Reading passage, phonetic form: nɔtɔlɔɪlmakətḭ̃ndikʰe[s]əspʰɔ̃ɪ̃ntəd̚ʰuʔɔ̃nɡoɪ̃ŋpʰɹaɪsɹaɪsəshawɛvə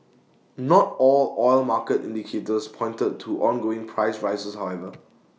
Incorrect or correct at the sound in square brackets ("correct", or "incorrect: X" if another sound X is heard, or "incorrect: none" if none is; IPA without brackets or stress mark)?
incorrect: t